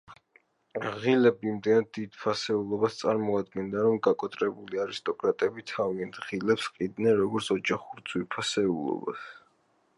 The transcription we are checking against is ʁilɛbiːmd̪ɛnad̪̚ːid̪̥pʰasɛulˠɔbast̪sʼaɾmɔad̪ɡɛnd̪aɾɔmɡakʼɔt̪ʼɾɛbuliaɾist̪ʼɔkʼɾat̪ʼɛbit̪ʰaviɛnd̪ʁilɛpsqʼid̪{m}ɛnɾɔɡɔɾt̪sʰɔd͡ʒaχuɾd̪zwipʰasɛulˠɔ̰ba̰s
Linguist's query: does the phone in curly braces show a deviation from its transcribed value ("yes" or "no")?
yes